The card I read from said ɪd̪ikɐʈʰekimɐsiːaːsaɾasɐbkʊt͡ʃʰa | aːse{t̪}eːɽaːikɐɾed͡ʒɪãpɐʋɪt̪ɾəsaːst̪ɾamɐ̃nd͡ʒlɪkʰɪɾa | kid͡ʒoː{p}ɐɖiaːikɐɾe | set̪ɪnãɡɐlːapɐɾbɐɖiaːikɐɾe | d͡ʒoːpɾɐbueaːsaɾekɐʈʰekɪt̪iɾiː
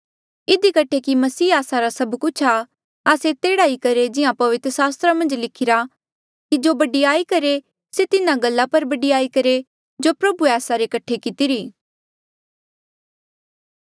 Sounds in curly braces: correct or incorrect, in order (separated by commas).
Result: correct, incorrect